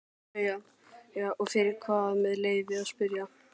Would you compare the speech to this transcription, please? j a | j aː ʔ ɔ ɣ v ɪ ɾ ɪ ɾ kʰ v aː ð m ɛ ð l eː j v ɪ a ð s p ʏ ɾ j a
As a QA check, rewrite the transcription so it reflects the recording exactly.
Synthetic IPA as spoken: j a | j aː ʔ ɔ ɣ f ɪ ɾ ɪ ɾ kʰ v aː ð m ɛ ð l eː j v ɪ a ð s p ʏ ɾ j a